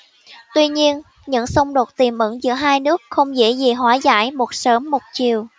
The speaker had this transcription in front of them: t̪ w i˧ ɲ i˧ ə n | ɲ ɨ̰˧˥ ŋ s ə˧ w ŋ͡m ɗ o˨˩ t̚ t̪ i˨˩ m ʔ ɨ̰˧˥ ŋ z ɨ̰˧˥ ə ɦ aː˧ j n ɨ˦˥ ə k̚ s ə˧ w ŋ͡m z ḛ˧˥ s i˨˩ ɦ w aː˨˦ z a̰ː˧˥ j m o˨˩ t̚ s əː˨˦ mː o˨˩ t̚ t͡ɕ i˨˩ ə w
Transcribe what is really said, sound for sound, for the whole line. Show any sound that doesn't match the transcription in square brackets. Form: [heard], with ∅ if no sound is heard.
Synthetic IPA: t̪ w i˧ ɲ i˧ ə n | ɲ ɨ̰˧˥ ŋ s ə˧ w ŋ͡m ɗ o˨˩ t̚ t̪ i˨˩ m ʔ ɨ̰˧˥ ŋ z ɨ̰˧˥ ə ɦ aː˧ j n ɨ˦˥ ə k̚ [x] ə˧ w ŋ͡m z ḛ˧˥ [z] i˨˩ ɦ w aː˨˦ z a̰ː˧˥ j m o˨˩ t̚ s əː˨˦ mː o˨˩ t̚ t͡ɕ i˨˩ ə w